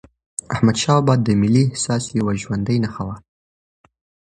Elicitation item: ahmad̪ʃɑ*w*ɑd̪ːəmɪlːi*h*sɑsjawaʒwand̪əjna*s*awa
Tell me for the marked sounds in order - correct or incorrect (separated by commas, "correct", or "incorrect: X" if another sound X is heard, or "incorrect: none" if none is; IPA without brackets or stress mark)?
incorrect: b, correct, incorrect: x